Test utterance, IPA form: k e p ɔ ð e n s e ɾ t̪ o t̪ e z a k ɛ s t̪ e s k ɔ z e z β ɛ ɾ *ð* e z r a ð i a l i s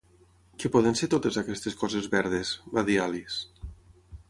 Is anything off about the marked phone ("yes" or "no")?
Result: no